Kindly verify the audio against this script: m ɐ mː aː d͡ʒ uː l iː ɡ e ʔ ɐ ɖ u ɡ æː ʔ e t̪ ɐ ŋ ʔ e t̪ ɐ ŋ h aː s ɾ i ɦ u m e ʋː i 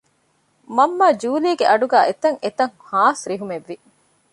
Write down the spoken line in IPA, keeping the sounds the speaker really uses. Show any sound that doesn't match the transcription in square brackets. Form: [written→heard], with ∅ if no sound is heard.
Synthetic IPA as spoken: m ɐ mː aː d͡ʒ uː l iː ɡ e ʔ ɐ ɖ u ɡ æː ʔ e t̪ ɐ ŋ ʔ e t̪ ɐ ŋ h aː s ɾ i ɦ u m e ʋː i

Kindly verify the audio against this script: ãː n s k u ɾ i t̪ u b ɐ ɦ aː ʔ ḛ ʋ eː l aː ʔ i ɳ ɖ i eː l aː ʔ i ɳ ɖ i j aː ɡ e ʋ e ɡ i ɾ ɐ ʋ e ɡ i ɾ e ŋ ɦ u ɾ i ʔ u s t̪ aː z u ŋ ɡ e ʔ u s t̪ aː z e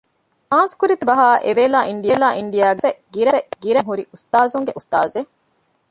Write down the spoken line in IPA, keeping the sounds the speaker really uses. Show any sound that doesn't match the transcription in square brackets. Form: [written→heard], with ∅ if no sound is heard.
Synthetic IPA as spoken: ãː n s k u ɾ i t̪ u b ɐ ɦ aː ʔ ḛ ʋ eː l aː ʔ i ɳ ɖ i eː l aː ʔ i ɳ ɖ i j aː ɡ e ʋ e ɡ i ɾ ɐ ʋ e ɡ i ɾ e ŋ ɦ u ɾ i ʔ u s t̪ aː z u ŋ ɡ e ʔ u s t̪ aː z e

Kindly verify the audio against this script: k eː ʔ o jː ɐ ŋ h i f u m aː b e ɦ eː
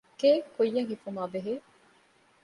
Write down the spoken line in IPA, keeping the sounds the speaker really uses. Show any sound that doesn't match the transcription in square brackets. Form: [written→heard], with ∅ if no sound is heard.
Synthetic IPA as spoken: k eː [ʔ→k] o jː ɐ ŋ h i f u m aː b e ɦ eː

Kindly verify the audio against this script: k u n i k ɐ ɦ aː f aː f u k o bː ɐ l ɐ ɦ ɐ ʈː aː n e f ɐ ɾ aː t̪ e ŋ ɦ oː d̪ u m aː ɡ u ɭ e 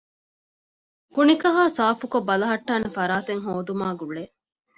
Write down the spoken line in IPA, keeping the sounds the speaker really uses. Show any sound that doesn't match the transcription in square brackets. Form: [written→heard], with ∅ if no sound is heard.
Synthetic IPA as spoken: k u n i k ɐ ɦ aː [f→s] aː f u k o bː ɐ l ɐ ɦ ɐ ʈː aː n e f ɐ ɾ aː t̪ e ŋ ɦ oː d̪ u m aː ɡ u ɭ e

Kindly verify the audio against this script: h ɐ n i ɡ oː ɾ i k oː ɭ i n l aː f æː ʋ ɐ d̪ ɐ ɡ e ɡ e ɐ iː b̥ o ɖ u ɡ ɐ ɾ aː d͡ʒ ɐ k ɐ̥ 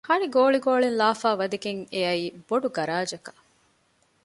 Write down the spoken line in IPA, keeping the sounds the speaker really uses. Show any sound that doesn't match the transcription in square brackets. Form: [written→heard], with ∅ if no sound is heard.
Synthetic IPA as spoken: h ɐ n i ɡ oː [ɾ→ɭ] i [k→ɡ] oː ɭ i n l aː f [æː→aː] ʋ ɐ d̪ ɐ ɡ e [ɡ→ŋ] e ɐ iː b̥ o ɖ u ɡ ɐ ɾ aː d͡ʒ ɐ k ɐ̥

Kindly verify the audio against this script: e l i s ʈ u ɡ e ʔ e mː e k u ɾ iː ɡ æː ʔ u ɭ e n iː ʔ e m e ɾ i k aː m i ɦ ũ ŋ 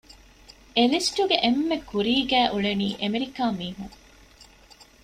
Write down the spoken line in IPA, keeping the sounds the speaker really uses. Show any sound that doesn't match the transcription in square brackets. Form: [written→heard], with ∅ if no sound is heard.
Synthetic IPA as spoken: e l i s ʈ u ɡ e ʔ e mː e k u ɾ iː ɡ æː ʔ u ɭ e n iː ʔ e m e ɾ i k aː m [i→iː] ɦ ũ ŋ

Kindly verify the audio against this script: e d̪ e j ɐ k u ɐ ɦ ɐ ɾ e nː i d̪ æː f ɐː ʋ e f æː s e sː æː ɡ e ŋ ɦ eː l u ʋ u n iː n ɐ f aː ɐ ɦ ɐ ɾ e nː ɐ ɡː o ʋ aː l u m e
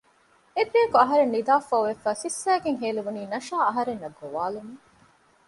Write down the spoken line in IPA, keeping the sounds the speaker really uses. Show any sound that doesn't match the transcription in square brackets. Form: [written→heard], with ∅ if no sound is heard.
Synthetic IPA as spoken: e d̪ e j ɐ k u ɐ ɦ ɐ ɾ e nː i d̪ [æː→aː] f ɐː ʋ e f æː s [e→i] sː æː ɡ e ŋ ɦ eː l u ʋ u n iː n ɐ [f→ʃ] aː ɐ ɦ ɐ ɾ e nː ɐ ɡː o ʋ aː l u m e

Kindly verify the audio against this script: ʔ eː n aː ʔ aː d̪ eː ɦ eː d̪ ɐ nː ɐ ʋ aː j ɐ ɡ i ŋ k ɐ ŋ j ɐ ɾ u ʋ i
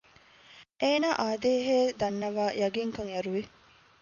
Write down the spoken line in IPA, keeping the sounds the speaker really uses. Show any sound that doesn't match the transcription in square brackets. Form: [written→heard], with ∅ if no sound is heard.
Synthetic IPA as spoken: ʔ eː n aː ʔ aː d̪ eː ɦ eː d̪ ɐ nː ɐ ʋ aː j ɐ ɡ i ŋ k ɐ ŋ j ɐ ɾ u ʋ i

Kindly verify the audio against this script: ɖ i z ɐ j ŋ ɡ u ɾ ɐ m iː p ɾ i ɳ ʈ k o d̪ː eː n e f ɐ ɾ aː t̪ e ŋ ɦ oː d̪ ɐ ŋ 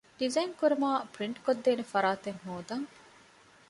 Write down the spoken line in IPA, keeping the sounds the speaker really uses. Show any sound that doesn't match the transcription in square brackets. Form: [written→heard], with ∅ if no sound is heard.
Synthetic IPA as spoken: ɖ i z ɐ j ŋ [ɡ→k] u ɾ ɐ m [iː→aː] p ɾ i ɳ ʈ k o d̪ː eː n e f ɐ ɾ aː t̪ e ŋ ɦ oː d̪ ɐ ŋ

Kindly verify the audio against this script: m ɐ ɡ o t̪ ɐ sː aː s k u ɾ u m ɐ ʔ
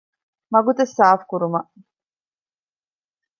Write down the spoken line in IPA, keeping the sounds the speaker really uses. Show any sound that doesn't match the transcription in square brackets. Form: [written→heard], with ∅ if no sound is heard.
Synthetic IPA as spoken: m ɐ ɡ [o→u] t̪ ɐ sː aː [s→f] k u ɾ u m ɐ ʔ

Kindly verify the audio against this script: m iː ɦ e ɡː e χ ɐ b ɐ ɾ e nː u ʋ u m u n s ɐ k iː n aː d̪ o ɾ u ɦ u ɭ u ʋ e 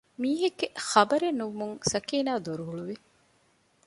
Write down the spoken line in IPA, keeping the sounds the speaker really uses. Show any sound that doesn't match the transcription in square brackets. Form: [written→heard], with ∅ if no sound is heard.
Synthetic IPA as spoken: m iː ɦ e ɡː e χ ɐ b ɐ ɾ e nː u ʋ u m u [n→ŋ] s ɐ k iː n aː d̪ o ɾ u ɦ u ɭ u ʋ [e→i]

